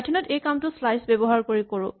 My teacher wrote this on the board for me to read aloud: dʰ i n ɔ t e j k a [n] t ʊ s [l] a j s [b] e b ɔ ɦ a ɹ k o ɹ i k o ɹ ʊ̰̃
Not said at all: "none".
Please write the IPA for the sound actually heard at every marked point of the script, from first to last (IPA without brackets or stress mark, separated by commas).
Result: m, l, b